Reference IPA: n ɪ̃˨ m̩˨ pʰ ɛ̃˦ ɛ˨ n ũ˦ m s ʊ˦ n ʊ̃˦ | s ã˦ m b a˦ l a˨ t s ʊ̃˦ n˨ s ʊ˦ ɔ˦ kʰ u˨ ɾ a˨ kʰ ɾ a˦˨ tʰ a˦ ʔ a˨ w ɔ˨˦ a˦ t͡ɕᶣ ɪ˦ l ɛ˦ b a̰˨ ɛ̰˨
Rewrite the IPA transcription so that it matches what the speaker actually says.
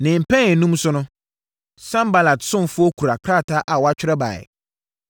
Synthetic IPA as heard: n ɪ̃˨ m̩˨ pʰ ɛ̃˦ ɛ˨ n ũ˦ m s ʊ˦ n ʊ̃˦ | s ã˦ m b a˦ l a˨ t s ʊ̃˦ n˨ f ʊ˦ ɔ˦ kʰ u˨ ɾ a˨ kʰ ɾ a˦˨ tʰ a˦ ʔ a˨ w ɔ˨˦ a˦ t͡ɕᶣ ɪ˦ ɾ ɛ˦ b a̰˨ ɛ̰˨